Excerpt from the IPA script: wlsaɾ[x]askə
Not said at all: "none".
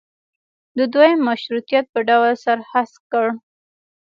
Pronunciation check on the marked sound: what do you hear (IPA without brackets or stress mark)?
h